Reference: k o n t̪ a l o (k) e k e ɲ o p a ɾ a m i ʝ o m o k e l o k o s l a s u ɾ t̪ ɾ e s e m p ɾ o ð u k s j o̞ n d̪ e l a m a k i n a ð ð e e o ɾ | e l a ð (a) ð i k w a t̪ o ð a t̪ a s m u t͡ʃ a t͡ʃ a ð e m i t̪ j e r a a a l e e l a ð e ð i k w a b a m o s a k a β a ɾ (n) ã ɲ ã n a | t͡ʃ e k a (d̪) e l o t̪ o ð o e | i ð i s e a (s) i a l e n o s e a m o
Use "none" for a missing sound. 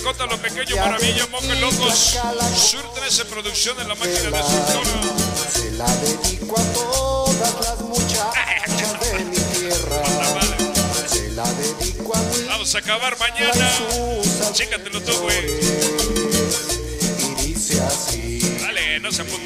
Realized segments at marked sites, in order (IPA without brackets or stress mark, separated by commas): p, e, m, t̪, s